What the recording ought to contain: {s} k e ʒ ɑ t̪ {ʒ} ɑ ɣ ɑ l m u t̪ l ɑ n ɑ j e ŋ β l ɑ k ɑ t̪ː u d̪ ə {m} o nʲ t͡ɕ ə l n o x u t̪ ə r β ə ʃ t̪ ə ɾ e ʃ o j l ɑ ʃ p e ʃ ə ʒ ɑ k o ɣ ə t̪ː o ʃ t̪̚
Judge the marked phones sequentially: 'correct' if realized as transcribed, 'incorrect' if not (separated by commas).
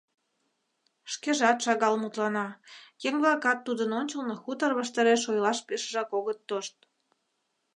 incorrect, incorrect, incorrect